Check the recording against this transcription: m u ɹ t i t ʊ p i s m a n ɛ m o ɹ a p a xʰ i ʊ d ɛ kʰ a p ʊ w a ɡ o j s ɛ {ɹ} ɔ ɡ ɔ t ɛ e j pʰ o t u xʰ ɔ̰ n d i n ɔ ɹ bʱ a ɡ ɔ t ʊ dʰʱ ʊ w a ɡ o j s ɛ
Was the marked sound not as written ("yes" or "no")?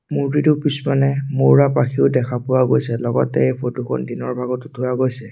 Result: yes